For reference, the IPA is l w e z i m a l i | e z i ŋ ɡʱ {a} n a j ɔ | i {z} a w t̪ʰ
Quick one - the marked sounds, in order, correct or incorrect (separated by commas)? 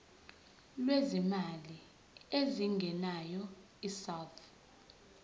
incorrect, incorrect